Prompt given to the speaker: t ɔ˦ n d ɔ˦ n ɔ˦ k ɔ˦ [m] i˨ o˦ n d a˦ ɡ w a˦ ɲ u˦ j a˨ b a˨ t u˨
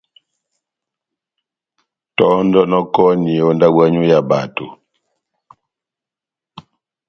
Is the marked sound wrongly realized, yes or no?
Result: yes